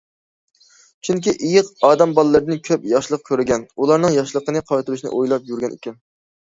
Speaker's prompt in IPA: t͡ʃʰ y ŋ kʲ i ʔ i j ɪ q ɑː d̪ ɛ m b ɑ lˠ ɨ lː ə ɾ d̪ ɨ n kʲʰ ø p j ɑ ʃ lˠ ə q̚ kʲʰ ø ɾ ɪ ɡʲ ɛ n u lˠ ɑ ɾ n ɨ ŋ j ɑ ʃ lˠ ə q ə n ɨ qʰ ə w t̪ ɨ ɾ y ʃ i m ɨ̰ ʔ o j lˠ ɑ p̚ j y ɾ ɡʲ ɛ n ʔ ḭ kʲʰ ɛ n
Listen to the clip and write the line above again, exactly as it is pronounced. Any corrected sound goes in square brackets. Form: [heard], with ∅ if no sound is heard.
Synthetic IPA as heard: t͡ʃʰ y ŋ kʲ i ʔ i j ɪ q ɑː d̪ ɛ m b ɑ lˠ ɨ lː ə ɾ d̪ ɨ n kʲʰ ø p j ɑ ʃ lˠ ə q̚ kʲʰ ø ɾ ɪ ɡʲ ɛ n u lˠ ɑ ɾ n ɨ ŋ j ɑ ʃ lˠ ə q ə n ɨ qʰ [ɑ] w t̪ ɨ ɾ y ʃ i [n] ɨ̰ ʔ o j lˠ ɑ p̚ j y ɾ ɡʲ ɛ n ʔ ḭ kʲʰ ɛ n